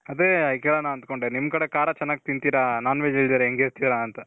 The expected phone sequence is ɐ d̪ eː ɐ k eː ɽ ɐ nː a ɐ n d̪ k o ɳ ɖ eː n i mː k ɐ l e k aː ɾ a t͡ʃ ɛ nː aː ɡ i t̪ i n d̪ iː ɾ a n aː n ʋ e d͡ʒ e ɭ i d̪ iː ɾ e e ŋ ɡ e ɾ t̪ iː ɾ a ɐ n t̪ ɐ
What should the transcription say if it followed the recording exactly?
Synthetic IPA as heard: ɐ d̪ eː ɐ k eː ɭ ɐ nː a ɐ n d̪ k o ɳ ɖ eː n i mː k ɐ ɽ e k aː ɾ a t͡ʃ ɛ nː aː ɡ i t̪ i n t̪ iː ɾ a n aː n ʋ e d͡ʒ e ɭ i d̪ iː ɾ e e ŋ ɡ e ɾ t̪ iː ɾ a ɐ n t̪ ɐ